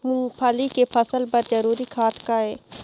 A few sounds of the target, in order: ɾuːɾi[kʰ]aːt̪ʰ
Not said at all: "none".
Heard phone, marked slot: kʰ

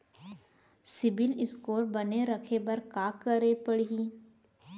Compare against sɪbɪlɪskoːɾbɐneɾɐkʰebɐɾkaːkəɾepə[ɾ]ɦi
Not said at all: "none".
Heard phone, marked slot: ɽ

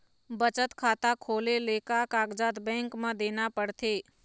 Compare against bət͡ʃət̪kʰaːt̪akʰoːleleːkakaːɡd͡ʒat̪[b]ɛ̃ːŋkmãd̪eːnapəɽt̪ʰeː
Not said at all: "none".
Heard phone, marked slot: b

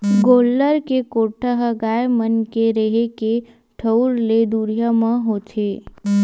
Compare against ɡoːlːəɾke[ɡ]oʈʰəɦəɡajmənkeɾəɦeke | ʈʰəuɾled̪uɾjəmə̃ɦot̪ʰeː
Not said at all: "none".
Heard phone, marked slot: k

